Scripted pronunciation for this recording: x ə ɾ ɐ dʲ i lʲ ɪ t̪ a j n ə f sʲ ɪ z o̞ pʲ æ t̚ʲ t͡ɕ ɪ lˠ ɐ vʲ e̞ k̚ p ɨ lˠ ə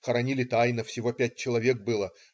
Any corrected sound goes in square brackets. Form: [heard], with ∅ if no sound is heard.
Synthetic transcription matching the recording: x ə ɾ ɐ [nʲ] i lʲ ɪ t̪ a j n ə f sʲ ɪ [v] o̞ pʲ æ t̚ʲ t͡ɕ ɪ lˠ ɐ vʲ e̞ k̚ [b] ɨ lˠ ə